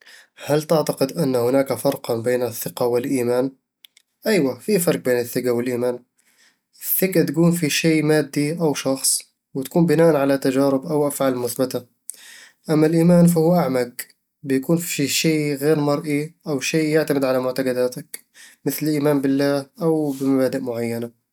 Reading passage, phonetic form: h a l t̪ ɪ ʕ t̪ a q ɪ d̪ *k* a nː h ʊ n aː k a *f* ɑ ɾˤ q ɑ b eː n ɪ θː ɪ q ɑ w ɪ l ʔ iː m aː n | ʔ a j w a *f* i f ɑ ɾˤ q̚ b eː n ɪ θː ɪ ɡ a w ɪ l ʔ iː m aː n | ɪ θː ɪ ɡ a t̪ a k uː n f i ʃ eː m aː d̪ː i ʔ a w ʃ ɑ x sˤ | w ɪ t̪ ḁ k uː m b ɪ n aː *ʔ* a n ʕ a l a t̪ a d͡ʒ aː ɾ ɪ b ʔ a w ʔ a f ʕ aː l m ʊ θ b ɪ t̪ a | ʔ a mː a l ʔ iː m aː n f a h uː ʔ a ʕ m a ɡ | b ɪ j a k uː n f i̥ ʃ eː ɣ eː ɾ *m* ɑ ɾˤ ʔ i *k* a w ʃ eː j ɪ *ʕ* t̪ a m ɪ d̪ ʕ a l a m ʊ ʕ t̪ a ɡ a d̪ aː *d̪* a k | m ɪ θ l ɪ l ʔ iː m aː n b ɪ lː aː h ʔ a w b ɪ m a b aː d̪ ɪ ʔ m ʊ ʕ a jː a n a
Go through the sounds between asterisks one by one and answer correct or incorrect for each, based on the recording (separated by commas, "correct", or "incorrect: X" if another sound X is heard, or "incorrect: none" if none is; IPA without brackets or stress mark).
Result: incorrect: ʔ, correct, correct, correct, correct, incorrect: ʔ, correct, incorrect: t̪